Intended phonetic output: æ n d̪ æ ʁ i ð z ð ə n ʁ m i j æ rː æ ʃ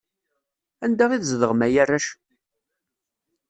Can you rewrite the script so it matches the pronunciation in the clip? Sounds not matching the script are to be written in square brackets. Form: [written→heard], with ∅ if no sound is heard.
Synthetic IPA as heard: æ n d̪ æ ʁ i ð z ð ə [n→∅] ʁ m [i→æ] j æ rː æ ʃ